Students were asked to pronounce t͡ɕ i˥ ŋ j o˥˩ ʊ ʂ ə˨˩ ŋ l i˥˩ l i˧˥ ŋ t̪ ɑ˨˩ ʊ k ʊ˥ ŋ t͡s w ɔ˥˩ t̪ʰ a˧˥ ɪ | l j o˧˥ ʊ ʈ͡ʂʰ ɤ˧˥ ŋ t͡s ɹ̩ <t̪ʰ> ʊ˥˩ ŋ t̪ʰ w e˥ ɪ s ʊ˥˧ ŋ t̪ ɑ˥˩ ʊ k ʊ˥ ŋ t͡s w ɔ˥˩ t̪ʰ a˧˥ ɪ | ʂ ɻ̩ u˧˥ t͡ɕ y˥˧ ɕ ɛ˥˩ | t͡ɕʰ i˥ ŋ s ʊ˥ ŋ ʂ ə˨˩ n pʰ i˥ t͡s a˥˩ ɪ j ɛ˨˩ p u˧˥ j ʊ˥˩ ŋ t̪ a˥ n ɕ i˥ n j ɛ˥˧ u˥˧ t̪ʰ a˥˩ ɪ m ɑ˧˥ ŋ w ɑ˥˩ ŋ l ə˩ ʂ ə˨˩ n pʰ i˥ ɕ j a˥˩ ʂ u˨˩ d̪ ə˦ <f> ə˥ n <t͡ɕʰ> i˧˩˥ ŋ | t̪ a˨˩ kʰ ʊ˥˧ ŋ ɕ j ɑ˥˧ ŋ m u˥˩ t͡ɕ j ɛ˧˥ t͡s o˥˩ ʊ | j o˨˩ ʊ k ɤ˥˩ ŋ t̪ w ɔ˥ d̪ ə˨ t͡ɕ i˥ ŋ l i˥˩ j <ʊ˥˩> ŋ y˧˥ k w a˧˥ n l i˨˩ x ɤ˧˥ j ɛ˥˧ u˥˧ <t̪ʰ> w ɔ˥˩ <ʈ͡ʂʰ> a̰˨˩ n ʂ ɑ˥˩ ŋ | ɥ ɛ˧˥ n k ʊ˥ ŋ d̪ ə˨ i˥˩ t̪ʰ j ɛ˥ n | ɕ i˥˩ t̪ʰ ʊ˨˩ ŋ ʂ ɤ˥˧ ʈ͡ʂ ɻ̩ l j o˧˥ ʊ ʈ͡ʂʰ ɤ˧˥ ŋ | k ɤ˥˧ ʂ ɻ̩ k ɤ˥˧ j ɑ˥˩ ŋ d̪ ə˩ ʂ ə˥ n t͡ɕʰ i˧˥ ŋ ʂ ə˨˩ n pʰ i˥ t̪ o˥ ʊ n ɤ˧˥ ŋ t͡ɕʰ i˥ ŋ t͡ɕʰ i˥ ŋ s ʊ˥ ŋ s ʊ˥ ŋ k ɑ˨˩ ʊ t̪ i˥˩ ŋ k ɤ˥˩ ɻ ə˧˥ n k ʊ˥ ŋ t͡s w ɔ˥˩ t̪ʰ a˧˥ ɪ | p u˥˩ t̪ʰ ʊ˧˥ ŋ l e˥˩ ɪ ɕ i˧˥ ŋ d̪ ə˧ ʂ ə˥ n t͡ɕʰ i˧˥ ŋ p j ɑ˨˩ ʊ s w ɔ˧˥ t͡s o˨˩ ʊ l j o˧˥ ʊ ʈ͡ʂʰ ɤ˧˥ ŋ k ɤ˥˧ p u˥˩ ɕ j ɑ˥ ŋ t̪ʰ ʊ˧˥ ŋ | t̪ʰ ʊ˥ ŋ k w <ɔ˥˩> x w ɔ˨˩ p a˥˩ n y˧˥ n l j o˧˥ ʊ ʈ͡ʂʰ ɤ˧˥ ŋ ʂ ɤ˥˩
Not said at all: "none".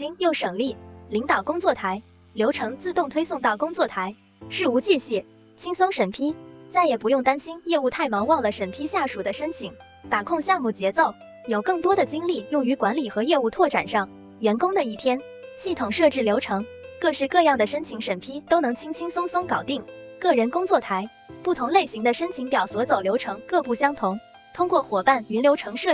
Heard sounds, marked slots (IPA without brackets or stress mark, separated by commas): t̪, ʂ, t͡ɕʰ, ʊ˥˩, t̪ʰ, ʈ͡ʂ, ɔ˥˩